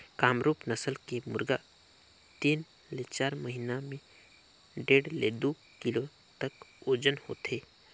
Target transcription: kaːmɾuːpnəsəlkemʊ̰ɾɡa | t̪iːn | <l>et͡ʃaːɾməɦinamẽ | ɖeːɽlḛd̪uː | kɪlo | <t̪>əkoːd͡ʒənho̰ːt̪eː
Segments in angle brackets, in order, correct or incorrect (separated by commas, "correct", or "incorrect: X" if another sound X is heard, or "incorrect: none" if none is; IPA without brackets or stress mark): correct, correct